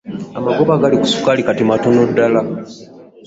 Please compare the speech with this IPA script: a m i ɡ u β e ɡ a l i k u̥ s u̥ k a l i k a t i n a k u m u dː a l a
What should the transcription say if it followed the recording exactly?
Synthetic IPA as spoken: a m a ɡ o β a ɡ a l i k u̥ s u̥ k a l i k a t i m a t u n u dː a l a